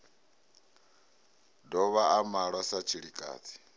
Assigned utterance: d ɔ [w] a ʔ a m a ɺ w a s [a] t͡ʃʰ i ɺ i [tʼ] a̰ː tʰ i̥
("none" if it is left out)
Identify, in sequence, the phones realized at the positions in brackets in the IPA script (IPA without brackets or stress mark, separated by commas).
β, a, kʼ